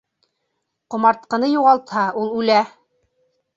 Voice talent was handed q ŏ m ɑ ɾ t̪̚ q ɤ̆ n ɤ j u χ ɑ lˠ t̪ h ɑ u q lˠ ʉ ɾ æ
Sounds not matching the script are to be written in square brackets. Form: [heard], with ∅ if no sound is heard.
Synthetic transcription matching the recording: q ŏ m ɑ ɾ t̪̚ q ɤ̆ n ɤ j u [ʁ] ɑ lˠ t̪ h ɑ u [∅] lˠ ʉ [l] æ